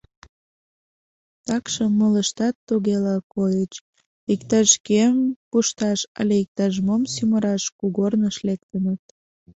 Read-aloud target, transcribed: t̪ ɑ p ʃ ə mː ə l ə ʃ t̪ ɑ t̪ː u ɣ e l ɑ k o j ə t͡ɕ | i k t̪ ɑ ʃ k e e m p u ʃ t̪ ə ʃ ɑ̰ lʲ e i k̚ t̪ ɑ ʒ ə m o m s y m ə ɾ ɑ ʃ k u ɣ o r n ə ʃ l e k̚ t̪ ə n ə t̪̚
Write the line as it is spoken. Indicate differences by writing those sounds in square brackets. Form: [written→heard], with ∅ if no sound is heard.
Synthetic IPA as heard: t̪ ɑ [p→k] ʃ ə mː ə l ə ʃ t̪ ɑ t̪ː u ɣ e l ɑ k o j ə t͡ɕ | i k t̪ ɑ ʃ k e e m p u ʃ t̪ [ə→ɑ] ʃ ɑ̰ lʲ e i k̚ t̪ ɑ ʒ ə m o m s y m ə ɾ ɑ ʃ k u ɣ o r n ə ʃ l e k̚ t̪ ə n ə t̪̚